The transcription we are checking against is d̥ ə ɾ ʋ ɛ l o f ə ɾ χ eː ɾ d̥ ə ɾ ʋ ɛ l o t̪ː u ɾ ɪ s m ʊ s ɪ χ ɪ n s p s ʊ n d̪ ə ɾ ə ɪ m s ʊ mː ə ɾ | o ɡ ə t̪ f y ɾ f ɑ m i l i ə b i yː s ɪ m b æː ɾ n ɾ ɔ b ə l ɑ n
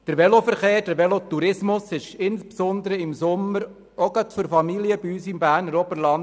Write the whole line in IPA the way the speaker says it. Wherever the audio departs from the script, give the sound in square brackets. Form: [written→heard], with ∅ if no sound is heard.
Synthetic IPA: d̥ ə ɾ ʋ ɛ l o f ə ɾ χ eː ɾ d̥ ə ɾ ʋ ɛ l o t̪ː u ɾ ɪ s m ʊ s ɪ [χ→ʃ] ɪ n s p s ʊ n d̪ ə ɾ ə ɪ m s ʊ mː ə ɾ | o ɡ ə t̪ f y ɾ f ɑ m i l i ə b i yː s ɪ m b æː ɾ n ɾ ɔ b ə l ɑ n